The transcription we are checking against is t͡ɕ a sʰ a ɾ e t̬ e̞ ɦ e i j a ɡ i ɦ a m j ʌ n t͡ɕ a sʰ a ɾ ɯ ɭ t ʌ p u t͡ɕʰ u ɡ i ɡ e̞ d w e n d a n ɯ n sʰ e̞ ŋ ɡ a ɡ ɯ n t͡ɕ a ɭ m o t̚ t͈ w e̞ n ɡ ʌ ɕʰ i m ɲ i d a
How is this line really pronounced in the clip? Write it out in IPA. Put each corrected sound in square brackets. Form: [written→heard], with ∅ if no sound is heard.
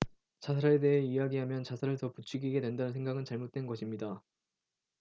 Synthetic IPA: t͡ɕ a sʰ a ɾ e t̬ e̞ ɦ e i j a ɡ i ɦ a m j ʌ n t͡ɕ a sʰ a ɾ ɯ ɭ t ʌ p u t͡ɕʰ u ɡ i ɡ e̞ d w e n d a n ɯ n sʰ e̞ ŋ ɡ a ɡ ɯ n t͡ɕ a ɭ m o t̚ t͈ w e̞ n ɡ ʌ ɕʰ i m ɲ i d a